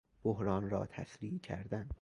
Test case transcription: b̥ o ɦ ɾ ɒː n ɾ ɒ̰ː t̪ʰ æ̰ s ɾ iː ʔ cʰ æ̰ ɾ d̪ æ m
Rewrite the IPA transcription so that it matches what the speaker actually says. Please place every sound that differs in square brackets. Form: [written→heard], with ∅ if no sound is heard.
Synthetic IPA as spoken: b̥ o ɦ ɾ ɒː n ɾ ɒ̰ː t̪ʰ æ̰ s ɾ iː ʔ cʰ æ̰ ɾ d̪ æ [m→n]